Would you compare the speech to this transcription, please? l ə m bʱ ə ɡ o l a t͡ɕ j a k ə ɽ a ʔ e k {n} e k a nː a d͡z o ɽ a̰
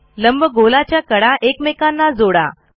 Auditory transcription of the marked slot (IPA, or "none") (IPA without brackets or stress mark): m